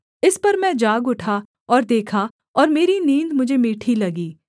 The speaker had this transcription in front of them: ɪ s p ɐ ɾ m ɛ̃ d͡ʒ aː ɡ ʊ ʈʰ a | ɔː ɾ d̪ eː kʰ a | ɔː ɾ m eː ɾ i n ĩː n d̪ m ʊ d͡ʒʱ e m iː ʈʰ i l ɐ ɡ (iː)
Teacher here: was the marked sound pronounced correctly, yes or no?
yes